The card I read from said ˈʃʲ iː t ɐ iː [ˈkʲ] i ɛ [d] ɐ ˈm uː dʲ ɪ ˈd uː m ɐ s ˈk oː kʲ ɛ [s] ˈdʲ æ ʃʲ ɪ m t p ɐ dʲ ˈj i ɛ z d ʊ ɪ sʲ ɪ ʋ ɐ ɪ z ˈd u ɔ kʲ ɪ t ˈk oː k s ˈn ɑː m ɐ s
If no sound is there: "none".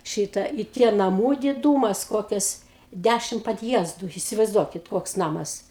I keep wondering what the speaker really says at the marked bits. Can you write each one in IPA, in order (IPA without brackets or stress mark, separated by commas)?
tʲ, n, s